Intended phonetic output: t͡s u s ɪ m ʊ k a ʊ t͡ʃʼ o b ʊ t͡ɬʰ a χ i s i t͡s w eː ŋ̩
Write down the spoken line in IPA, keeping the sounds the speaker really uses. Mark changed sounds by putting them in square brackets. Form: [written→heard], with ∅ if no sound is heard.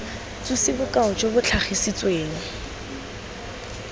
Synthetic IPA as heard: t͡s u s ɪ [m→b] ʊ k a ʊ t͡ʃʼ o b ʊ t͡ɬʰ a χ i s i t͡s w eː ŋ̩